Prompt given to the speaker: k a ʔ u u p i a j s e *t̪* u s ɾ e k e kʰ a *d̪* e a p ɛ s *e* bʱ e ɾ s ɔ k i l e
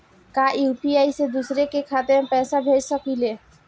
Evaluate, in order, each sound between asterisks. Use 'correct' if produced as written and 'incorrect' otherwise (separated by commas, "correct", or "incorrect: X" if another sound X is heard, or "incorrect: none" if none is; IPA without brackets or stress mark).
incorrect: d̪, incorrect: t̪, incorrect: a